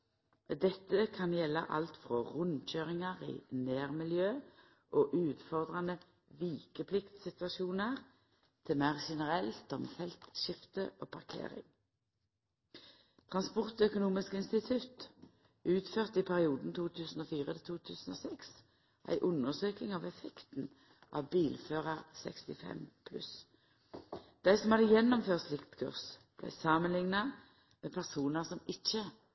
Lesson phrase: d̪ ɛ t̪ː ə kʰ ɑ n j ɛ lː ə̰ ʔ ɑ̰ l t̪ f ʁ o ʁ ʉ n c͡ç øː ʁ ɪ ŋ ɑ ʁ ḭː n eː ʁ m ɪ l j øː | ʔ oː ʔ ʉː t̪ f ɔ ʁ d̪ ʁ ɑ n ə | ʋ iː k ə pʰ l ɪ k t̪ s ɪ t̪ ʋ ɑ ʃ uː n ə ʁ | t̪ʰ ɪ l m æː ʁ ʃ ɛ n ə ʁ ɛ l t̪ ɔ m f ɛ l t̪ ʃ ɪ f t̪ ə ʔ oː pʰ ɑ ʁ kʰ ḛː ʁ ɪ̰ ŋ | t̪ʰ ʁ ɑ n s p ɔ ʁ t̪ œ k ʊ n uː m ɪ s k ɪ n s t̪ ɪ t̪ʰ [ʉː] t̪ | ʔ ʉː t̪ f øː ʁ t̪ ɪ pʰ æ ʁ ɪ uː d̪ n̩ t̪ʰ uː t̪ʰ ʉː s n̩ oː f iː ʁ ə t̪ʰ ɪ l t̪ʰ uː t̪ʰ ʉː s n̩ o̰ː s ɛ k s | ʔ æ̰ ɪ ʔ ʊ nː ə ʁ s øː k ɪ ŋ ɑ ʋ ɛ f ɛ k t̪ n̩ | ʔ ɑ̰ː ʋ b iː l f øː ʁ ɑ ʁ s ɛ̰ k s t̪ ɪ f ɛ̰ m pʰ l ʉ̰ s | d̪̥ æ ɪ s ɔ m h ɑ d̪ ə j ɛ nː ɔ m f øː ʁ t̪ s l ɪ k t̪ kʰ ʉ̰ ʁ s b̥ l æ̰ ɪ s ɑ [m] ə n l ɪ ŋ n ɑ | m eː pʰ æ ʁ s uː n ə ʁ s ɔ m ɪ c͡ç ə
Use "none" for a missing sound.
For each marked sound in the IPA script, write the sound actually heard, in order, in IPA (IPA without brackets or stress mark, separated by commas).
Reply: ʉ, m